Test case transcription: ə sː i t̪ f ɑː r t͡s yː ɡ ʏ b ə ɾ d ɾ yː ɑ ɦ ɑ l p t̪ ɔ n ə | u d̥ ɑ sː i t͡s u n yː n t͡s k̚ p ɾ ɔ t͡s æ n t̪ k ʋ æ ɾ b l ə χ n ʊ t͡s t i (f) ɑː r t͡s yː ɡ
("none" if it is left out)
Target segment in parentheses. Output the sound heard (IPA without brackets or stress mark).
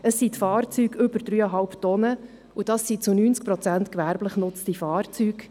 f